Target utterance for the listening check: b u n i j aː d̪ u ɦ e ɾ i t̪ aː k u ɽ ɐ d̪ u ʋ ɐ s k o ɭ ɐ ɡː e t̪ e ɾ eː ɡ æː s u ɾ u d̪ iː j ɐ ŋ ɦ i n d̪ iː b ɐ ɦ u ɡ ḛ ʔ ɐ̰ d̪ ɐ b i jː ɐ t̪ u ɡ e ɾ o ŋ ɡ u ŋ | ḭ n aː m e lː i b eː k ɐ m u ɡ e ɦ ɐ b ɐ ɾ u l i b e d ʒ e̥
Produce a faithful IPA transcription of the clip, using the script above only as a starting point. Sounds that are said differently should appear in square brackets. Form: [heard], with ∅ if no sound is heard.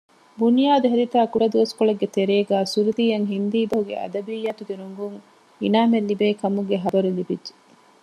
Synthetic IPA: b u n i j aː d̪ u ɦ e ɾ i t̪ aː k u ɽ ɐ d̪ u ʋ ɐ s k o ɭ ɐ ɡː e t̪ e ɾ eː ɡ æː s u ɾ u d̪ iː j ɐ ŋ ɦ i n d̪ iː b ɐ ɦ u ɡ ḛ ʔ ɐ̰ d̪ ɐ b i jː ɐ t̪ u ɡ e ɾ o ŋ ɡ u ŋ | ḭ n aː m e lː i b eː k ɐ m u ɡ e ɦ ɐ b ɐ ɾ u l i b [i] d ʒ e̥